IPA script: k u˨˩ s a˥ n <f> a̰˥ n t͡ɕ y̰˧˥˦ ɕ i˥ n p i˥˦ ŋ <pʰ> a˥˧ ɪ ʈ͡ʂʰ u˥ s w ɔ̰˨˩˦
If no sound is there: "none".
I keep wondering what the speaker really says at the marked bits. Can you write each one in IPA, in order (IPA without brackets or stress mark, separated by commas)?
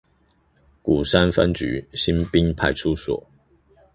f, pʰ